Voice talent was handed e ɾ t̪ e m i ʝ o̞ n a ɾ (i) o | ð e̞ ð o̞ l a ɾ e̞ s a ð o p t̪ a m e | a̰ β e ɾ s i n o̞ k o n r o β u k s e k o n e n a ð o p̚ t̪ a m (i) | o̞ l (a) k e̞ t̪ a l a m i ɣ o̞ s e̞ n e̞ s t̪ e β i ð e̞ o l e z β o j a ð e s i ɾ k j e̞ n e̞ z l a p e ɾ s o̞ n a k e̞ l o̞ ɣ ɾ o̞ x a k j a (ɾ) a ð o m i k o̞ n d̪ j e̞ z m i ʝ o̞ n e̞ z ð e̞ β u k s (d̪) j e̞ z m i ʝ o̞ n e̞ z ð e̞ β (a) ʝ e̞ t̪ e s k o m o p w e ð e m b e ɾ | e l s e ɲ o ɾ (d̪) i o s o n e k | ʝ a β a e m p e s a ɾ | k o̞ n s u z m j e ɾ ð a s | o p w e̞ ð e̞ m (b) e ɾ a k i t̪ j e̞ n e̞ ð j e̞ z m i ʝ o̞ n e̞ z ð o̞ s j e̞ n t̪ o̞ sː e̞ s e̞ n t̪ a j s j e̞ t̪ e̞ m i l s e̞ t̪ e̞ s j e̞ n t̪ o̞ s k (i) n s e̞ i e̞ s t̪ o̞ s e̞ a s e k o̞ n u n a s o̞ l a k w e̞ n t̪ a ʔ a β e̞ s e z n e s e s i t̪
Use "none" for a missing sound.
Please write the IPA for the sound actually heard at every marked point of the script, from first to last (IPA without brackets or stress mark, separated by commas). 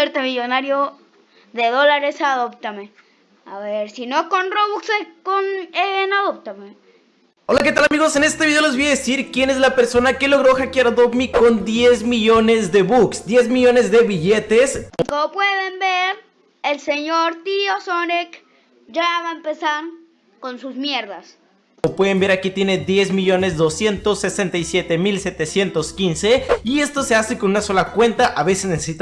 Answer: j, e, a, ɾ, d̪, i, t̪, b, i